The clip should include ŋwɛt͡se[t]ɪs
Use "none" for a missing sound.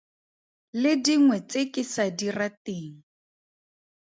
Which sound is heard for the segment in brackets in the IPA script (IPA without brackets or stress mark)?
k